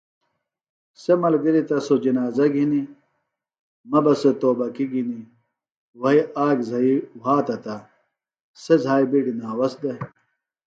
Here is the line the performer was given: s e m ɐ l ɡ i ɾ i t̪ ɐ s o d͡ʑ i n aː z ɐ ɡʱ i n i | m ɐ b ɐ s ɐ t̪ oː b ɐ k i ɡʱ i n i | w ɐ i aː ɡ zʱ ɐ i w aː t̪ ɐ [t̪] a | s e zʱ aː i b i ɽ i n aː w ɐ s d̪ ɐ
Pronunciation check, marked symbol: correct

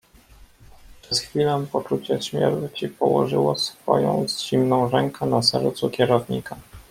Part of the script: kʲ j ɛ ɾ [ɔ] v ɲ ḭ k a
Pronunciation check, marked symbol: correct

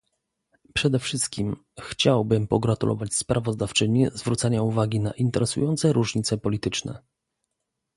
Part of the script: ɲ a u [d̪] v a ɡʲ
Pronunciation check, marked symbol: incorrect: none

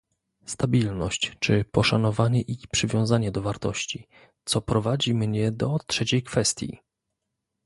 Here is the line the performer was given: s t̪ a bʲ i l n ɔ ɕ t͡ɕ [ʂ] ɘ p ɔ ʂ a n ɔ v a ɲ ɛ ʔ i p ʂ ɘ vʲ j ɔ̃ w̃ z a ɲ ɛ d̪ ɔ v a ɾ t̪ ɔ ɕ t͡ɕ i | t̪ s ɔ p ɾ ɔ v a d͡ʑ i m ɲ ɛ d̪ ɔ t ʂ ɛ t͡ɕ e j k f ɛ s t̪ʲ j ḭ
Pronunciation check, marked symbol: incorrect: t͡ʂ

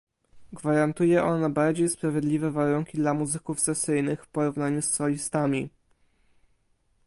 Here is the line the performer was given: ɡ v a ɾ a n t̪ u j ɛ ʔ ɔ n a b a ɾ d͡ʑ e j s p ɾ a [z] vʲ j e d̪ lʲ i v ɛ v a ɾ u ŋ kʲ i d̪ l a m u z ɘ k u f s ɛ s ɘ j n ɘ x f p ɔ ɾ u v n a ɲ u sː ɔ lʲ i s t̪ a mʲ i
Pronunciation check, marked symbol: incorrect: none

